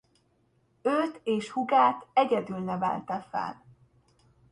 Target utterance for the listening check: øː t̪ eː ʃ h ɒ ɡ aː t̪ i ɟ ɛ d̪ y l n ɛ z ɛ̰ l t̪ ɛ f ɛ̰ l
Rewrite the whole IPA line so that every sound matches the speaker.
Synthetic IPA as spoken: øː t̪ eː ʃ h u ɡ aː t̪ ɛ ɟ ɛ d̪ y l n ɛ v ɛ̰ l t̪ ɛ f ɛ̰ l